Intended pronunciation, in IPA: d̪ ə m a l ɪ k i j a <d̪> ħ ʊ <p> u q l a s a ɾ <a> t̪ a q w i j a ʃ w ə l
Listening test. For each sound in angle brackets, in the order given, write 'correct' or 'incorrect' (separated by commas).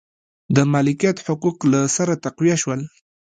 incorrect, incorrect, correct